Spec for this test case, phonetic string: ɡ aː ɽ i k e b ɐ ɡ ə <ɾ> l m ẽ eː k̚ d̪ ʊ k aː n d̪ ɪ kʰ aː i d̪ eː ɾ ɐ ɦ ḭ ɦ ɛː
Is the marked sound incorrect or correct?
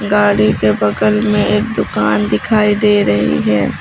incorrect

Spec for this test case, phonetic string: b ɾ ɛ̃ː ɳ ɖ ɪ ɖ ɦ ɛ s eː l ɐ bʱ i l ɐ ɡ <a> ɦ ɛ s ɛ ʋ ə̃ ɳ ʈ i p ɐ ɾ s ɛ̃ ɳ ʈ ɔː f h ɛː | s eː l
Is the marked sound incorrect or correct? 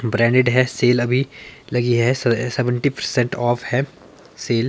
incorrect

